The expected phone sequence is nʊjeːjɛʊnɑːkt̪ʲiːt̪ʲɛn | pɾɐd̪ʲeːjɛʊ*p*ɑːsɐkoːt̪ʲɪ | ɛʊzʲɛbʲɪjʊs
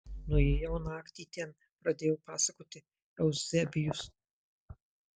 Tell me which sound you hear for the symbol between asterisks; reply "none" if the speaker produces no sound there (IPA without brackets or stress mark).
p